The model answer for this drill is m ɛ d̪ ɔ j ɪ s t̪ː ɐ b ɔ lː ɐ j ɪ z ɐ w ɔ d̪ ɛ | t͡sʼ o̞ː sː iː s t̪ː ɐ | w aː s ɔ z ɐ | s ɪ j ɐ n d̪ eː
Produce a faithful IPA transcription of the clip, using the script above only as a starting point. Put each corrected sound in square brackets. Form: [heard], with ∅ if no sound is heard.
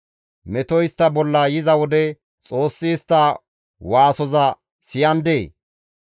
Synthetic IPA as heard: m ɛ [t̪] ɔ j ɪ s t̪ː ɐ b ɔ lː ɐ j ɪ z ɐ w ɔ d̪ ɛ | t͡sʼ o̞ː sː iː s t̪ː ɐ | w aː s ɔ z ɐ | s ɪ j ɐ n d̪ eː